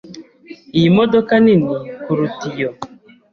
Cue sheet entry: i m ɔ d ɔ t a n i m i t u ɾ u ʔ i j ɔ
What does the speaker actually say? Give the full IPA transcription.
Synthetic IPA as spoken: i m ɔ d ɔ k a n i n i k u ɾ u t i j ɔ